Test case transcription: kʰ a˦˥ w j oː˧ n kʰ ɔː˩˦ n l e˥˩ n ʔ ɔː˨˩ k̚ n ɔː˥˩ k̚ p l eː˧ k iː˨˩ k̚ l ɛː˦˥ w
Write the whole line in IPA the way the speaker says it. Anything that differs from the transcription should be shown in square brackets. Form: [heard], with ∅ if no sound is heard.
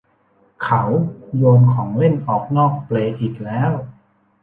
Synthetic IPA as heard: kʰ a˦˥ w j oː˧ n kʰ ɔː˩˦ [ŋ] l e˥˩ n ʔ ɔː˨˩ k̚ n ɔː˥˩ k̚ p l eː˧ [ʔ] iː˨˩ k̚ l ɛː˦˥ w